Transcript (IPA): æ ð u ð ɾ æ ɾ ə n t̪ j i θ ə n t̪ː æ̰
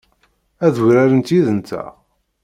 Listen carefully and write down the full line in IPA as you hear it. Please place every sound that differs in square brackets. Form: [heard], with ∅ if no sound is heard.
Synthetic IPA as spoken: æ ð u [∅] ɾ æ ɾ ə n t̪ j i [ð] ə n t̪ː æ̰